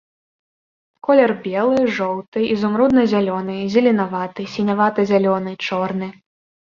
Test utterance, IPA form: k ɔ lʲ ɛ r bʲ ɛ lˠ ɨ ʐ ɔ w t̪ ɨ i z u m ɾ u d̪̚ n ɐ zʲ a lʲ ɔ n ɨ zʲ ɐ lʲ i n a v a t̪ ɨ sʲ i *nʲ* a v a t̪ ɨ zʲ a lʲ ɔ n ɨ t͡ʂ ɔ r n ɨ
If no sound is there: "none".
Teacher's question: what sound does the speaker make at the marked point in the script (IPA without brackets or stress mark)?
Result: nʲ